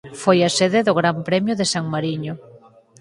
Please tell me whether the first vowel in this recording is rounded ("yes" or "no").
yes